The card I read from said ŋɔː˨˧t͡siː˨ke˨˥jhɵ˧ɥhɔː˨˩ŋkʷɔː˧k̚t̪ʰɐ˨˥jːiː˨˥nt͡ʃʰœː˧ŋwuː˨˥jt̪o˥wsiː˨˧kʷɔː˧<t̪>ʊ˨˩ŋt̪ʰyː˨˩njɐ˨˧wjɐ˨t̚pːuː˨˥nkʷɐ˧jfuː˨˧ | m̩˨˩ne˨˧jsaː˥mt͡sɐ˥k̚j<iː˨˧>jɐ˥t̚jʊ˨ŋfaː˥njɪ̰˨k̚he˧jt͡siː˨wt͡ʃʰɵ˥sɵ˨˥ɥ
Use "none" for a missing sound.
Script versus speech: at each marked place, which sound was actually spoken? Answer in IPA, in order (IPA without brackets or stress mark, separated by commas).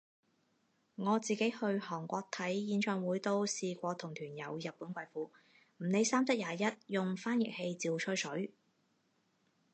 t̪ʰ, aː˨˧